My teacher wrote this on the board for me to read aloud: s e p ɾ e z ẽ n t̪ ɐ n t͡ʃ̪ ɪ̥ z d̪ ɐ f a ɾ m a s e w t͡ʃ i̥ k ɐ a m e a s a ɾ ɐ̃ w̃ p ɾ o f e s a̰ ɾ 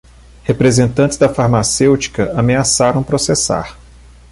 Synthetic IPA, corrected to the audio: h e p ɾ e z ẽ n t̪ ɐ̃ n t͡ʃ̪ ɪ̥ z d̪ ɐ f a ɾ m a s e w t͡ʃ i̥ k ɐ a m e a s a ɾ ɐ̃ w̃ p ɾ o s e s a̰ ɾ